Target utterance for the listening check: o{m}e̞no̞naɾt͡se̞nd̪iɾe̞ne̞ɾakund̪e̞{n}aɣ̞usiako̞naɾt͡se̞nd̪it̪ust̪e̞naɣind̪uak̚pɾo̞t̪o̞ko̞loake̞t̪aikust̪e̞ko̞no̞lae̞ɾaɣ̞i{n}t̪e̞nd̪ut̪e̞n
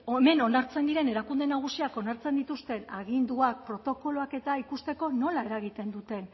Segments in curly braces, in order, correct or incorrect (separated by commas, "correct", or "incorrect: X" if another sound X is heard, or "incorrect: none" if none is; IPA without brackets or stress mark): correct, correct, incorrect: none